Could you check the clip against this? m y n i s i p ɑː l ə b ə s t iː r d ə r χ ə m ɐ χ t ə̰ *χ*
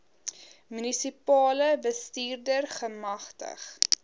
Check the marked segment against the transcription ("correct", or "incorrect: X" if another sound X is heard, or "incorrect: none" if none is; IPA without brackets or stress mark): correct